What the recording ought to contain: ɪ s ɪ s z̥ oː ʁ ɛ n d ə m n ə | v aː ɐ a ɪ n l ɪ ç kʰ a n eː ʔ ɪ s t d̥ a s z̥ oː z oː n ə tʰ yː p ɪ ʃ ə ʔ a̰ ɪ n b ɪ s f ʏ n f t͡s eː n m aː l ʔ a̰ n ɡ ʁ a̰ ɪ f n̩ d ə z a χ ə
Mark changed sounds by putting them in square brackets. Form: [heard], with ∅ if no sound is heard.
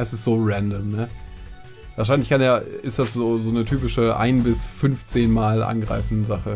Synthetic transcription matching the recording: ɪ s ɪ s z̥ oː ʁ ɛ n d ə m n ə | v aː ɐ a ɪ n l ɪ ç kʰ a n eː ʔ ɪ s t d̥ a s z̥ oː z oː n ə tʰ yː p ɪ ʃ ə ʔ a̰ ɪ n b ɪ s f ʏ n f t͡s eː n m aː l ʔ a̰ n ɡ ʁ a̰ ɪ f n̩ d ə z a χ ə